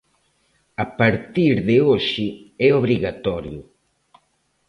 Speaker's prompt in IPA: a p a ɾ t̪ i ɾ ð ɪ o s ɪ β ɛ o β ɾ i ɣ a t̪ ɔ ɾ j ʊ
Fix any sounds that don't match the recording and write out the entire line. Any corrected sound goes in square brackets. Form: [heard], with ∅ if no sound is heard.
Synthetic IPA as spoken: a p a ɾ t̪ i ɾ ð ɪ o [ʃ] ɪ [∅] ɛ o β ɾ i ɣ a t̪ ɔ ɾ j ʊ